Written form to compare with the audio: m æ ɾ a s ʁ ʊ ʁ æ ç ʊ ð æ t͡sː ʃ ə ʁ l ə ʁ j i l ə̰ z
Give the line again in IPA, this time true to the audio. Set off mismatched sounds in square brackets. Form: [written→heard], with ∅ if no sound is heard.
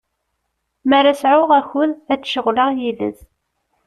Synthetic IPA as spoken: m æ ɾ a s [ʁ→ʕ] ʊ ʁ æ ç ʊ ð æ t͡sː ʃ ə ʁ l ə ʁ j i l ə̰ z